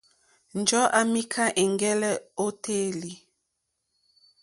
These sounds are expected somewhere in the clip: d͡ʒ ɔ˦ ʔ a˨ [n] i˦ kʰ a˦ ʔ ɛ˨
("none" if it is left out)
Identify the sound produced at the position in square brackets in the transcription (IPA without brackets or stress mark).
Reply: m